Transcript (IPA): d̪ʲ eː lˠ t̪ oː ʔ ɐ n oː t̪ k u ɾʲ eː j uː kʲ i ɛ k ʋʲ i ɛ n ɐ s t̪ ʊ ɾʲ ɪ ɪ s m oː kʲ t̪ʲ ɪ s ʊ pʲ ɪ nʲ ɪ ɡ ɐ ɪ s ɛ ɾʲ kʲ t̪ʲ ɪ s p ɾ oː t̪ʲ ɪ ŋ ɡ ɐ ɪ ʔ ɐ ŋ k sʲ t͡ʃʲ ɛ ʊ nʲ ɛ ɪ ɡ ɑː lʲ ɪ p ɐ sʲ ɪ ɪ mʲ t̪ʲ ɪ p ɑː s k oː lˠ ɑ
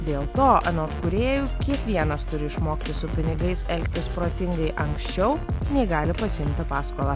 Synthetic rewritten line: d̪ʲ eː lˠ t̪ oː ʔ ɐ n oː t̪ k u ɾʲ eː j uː kʲ i ɛ k ʋʲ i ɛ n ɐ s t̪ ʊ ɾʲ ɪ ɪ ʃ m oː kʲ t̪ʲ ɪ s ʊ pʲ ɪ nʲ ɪ ɡ ɐ ɪ s ɛ lʲ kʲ t̪ʲ ɪ s p ɾ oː t̪ʲ ɪ ŋ ɡ ɐ ɪ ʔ ɐ ŋ k sʲ t͡ʃʲ ɛ ʊ nʲ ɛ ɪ ɡ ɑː lʲ ɪ p ɐ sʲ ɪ ɪ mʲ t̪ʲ ɪ p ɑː s k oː lˠ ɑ